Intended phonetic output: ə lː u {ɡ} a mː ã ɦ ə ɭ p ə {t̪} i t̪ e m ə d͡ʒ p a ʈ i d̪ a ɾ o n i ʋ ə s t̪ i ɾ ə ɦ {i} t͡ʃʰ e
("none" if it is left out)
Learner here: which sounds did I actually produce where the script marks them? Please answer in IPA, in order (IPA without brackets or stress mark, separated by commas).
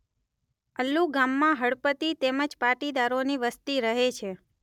ɡ, t̪, e